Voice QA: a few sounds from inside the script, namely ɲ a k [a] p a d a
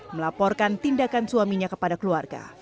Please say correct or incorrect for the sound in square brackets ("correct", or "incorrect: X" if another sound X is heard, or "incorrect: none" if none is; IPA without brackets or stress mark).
incorrect: ə